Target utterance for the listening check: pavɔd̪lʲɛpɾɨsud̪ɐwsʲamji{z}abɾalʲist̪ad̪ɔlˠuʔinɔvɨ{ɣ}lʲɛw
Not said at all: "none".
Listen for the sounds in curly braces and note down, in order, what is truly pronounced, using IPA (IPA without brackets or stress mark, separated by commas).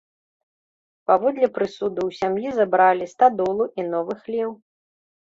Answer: z, x